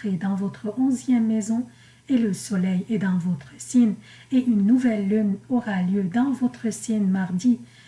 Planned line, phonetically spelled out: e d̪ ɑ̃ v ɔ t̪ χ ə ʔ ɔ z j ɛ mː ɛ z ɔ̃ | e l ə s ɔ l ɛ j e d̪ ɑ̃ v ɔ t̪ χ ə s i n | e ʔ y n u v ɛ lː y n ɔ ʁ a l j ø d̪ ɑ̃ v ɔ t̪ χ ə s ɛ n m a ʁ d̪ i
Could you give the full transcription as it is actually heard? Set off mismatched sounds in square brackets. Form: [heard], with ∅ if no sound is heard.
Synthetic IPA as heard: e d̪ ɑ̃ v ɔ t̪ χ ə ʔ [ɔ̃] z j ɛ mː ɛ z ɔ̃ | e l ə s ɔ l ɛ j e d̪ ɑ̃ v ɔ t̪ χ ə s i n | e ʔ y [nː] u v ɛ lː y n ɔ ʁ a l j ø d̪ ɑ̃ v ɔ t̪ χ ə s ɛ n m a ʁ d̪ i

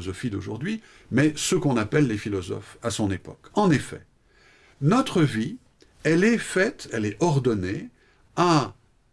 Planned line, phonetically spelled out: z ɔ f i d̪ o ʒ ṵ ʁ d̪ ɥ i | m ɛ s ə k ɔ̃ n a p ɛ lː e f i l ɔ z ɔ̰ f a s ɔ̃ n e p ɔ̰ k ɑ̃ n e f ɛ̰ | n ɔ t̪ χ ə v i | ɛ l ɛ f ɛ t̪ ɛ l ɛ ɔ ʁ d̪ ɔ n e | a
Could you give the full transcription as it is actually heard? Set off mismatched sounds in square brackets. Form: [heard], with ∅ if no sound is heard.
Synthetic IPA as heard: z ɔ f i d̪ o ʒ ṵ ʁ d̪ ɥ i | m ɛ s ə k ɔ̃ n a p ɛ lː e f i l ɔ z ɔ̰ f a s ɔ̃ n e p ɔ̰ k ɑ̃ n e f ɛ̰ | n ɔ t̪ χ ə v i | ɛ l ɛ f ɛ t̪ ɛ l ɛ ɔ ʁ d̪ ɔ n e | a

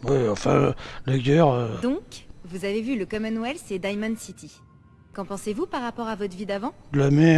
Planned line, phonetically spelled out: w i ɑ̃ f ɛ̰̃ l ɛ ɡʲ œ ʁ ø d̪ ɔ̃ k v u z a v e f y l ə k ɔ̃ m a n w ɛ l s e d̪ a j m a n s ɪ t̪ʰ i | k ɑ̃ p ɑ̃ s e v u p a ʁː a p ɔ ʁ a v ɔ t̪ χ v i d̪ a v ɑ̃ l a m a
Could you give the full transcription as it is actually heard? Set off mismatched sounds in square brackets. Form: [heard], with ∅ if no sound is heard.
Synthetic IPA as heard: w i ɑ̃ f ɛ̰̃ l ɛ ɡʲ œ ʁ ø d̪ ɔ̃ k v u z a v e [v] y l ə k [ɔ] m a n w ɛ l s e d̪ a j m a n s [i] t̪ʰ i | k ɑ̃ p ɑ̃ s e v u p a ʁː a p ɔ ʁ a v ɔ t̪ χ v i d̪ a v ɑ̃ l a m [ɛ]

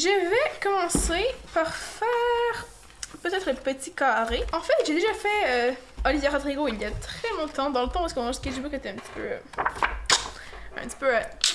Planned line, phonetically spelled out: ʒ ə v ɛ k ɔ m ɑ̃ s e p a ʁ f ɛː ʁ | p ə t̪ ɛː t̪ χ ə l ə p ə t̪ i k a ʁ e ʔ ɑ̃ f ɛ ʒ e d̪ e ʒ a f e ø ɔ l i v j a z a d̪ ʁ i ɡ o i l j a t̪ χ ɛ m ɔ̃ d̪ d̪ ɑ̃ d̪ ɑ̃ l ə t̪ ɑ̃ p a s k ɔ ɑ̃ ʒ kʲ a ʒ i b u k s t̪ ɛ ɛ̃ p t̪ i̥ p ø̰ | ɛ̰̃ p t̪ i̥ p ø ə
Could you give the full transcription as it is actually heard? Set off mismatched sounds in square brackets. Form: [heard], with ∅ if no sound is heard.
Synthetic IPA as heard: ʒ ə v ɛ k ɔ m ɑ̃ s e p a ʁ f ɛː ʁ | p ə t̪ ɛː t̪ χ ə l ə p ə t̪ i k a ʁ e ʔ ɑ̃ f ɛ ʒ e d̪ e ʒ a f [ɛ] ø ɔ l i v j a [ʁ] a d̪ ʁ i ɡ o i l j a t̪ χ ɛ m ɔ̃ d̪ [t̪] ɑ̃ d̪ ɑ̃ l ə t̪ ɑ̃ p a s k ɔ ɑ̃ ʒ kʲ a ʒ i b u k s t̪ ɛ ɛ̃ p t̪ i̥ p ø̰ | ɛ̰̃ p t̪ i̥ p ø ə

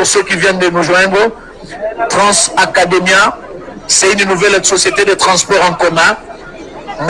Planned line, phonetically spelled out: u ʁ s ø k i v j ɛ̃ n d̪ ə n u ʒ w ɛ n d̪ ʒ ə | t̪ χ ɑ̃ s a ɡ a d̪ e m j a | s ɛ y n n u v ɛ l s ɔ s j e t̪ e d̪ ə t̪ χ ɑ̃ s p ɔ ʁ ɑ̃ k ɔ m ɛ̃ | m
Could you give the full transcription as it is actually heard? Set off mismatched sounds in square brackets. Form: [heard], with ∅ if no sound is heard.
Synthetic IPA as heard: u ʁ s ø k i v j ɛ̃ n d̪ ə n u ʒ w [ɛ̃] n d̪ [ʁ] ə | t̪ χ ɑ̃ s a [k] a d̪ e m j a | s ɛ y n n u v ɛ l s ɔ s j e t̪ e d̪ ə t̪ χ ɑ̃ s p ɔ ʁ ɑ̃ k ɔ m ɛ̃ | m

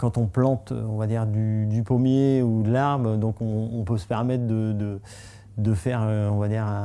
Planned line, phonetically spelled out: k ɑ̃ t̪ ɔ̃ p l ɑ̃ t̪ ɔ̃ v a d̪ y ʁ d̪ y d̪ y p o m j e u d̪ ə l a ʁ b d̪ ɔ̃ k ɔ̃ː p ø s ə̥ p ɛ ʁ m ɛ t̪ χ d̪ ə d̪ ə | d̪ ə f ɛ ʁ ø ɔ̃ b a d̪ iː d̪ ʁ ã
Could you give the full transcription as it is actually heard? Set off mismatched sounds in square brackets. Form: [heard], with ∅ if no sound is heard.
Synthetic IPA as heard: k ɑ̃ t̪ ɔ̃ p l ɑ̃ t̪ ɔ̃ v a d̪ [i] ʁ d̪ y d̪ y p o m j e u d̪ ə l a ʁ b d̪ ɔ̃ k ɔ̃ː p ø s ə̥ p ɛ ʁ m ɛ t̪ χ d̪ ə d̪ ə | d̪ ə f ɛ ʁ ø ɔ̃ [v] a d̪ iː [∅] ʁ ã

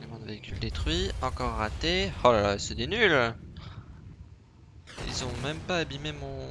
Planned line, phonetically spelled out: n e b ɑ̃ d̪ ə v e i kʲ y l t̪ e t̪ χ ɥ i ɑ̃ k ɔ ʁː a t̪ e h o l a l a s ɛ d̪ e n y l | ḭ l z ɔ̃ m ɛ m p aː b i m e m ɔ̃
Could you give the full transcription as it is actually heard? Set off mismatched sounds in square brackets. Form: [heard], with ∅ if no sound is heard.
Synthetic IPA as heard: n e [m] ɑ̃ d̪ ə v e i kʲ y l [d̪] e t̪ χ ɥ i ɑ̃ k ɔ ʁː a t̪ e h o l a l a s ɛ d̪ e n y l | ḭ l z ɔ̃ m ɛ m p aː b i m e m ɔ̃

